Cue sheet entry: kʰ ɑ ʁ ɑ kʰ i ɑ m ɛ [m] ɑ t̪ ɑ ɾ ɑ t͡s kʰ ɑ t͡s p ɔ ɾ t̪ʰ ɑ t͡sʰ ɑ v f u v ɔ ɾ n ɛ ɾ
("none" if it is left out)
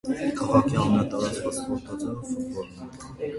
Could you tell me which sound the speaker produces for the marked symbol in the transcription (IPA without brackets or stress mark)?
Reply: n